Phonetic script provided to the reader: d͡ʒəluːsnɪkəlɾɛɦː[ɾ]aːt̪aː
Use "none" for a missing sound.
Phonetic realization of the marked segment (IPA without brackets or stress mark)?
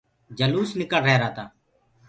ɾ